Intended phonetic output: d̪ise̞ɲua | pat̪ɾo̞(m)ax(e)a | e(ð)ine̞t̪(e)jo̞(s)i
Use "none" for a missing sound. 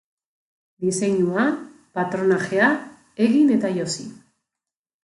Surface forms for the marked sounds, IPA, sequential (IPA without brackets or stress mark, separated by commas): n, e, ɣ, a, s